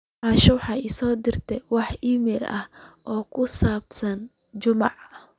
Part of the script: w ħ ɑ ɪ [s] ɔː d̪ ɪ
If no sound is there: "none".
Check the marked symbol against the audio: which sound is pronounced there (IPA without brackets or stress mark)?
s